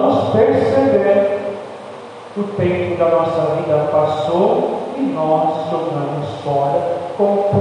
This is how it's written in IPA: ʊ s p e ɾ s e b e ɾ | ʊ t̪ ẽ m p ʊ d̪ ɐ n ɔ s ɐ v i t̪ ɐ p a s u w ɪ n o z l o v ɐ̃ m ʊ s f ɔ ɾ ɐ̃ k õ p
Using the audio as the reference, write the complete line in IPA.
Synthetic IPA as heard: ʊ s p e ɾ s e b e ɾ | ʊ t̪ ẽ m p ʊ d̪ ɐ n ɔ s ɐ v i d̪ ɐ p a s o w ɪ n ɔ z l o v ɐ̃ m ʊ s f ɔ ɾ ɐ k õ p